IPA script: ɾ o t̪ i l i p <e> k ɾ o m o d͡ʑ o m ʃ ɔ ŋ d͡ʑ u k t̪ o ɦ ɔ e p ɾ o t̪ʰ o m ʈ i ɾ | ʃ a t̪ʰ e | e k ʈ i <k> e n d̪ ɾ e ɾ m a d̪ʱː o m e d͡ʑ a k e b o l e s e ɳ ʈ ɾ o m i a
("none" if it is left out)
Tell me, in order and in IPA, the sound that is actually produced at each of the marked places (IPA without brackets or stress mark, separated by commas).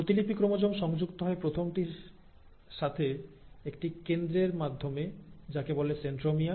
i, k